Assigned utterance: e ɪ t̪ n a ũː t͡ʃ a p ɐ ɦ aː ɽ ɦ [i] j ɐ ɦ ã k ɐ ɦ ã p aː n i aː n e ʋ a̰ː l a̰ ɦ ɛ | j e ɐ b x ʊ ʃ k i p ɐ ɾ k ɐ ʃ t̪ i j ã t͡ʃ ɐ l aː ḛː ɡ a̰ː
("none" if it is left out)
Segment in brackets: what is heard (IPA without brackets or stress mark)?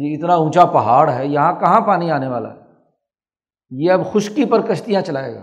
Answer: ɛ